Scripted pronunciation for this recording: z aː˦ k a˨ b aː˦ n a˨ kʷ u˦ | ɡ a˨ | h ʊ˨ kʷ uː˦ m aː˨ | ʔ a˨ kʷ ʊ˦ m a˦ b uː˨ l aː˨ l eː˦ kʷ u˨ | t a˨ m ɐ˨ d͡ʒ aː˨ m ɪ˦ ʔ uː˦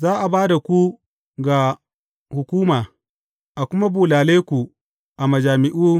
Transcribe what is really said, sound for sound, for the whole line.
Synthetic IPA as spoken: z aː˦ ʔ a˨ b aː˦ d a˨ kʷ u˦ | ɡ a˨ | h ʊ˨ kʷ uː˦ m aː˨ | ʔ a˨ kʷ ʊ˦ m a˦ b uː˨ l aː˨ l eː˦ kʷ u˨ | ʔ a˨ m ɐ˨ d͡ʒ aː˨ m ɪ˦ ʔ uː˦